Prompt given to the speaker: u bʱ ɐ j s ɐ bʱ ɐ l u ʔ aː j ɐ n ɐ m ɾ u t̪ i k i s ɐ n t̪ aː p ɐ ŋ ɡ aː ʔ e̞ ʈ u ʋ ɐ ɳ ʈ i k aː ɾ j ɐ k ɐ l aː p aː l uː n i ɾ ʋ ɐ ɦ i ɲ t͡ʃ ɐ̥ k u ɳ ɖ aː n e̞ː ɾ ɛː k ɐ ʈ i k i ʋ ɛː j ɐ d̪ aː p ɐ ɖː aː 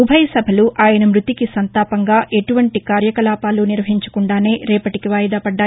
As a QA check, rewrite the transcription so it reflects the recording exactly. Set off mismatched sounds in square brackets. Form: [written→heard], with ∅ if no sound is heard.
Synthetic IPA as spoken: u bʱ ɐ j s ɐ bʱ ɐ l u ʔ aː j ɐ n ɐ m ɾ u t̪ i k i s ɐ n t̪ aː p ɐ ŋ ɡ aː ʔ e̞ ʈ u ʋ ɐ ɳ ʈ i k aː ɾ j ɐ k ɐ l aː p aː l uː n i ɾ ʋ ɐ ɦ i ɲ t͡ʃ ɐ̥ k u ɳ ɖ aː n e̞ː ɾ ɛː [k→p] ɐ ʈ i k i ʋ [ɛː→aː] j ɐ d̪ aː p ɐ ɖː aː